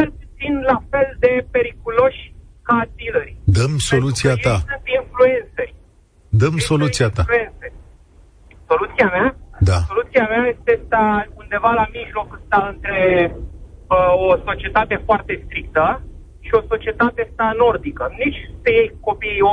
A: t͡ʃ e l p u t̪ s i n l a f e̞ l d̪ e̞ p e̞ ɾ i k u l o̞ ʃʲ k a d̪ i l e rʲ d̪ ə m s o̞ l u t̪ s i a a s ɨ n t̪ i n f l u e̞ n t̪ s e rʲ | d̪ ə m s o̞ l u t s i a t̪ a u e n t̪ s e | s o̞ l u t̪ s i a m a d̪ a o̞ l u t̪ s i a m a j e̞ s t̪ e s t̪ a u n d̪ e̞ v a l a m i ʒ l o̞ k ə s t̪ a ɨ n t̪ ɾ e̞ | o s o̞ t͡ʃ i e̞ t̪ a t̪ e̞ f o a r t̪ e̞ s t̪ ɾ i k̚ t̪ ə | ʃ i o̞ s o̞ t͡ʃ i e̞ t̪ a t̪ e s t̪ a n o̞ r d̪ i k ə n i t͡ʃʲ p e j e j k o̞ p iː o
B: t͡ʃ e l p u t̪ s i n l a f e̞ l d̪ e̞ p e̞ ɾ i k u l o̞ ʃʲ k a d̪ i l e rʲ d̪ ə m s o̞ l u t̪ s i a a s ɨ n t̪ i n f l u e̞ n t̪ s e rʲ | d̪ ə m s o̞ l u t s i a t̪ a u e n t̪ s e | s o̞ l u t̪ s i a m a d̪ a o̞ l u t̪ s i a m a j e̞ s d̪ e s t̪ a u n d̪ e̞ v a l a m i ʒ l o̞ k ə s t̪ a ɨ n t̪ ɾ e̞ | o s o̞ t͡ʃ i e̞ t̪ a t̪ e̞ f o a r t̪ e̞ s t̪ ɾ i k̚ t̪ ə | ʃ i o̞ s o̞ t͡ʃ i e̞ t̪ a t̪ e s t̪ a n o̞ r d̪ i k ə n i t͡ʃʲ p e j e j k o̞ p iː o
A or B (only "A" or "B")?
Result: A